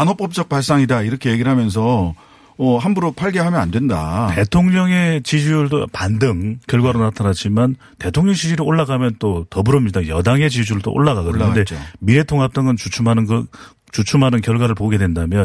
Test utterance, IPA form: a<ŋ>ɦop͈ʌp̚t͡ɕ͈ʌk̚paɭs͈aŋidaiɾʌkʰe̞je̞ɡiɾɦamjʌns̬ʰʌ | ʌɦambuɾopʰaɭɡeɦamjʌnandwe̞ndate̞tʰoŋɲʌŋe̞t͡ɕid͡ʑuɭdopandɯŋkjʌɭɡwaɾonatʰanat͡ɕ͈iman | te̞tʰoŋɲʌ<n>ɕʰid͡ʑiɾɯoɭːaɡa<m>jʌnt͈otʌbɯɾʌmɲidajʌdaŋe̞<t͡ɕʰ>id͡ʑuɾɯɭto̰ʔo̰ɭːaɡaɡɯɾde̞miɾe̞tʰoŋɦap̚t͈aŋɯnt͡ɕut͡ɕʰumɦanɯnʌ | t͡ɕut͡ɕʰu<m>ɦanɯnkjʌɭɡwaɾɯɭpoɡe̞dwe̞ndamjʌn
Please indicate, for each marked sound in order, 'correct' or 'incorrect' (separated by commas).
incorrect, incorrect, correct, incorrect, correct